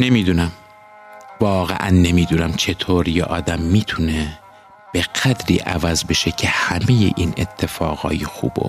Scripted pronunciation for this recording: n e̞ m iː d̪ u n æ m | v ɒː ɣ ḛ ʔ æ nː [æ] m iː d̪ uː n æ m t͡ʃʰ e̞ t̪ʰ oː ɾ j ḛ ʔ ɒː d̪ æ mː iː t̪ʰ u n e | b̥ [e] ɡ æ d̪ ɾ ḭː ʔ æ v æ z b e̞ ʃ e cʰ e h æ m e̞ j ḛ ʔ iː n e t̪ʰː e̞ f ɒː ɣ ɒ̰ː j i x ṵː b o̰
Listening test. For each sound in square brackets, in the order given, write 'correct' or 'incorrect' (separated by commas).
incorrect, correct